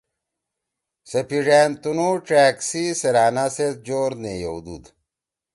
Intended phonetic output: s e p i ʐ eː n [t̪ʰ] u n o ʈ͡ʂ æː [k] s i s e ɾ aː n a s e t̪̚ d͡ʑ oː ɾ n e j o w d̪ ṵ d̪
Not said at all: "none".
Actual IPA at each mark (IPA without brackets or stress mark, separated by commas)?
t̪, k